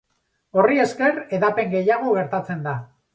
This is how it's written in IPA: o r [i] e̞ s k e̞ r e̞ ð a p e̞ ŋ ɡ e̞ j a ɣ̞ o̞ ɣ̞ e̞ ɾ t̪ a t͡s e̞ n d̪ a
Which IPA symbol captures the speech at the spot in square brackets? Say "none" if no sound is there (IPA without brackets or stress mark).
i